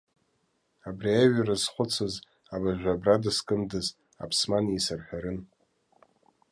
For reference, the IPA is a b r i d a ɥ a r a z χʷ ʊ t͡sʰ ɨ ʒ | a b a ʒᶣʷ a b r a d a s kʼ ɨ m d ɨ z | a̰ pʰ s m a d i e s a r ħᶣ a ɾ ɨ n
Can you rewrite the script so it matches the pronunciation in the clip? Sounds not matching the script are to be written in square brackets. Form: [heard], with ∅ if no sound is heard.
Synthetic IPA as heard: a b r i [∅] a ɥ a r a z χʷ ʊ t͡sʰ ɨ [z] | a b a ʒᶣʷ a b r a d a s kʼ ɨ m d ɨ z | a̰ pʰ s m a [n] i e s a r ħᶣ a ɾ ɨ n